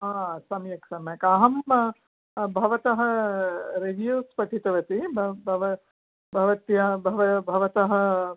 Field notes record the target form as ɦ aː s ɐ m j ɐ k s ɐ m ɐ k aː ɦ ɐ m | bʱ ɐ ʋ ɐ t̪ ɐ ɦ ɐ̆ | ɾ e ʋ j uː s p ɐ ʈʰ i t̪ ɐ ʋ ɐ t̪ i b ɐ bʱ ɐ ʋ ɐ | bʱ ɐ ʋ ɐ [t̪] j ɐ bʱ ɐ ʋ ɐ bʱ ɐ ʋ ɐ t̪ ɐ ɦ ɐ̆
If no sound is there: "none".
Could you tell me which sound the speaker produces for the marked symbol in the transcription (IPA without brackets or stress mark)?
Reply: t̪